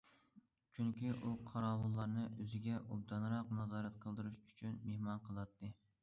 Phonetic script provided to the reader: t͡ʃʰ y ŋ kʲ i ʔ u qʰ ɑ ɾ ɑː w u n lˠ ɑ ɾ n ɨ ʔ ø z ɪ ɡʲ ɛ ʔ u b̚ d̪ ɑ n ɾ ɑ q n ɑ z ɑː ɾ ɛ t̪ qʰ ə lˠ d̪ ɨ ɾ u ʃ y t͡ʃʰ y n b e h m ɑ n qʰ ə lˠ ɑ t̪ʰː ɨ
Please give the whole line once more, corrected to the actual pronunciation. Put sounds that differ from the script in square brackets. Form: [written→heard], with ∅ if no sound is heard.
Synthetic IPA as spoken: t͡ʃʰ y ŋ kʲ i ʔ u qʰ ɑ ɾ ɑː w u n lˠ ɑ ɾ n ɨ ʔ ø z ɪ ɡʲ ɛ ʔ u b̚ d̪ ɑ n ɾ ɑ q n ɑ z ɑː ɾ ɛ t̪ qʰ ə lˠ d̪ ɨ ɾ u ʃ y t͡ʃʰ y n [b→m] e h m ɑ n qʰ ə lˠ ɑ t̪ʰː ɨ